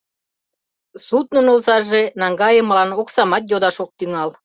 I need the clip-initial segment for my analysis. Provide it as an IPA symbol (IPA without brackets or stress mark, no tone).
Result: s